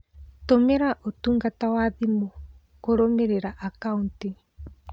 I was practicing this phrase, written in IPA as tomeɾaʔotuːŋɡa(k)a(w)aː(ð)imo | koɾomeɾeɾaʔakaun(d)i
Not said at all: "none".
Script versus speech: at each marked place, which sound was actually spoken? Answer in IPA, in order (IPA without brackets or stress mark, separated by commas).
t, w, ð, t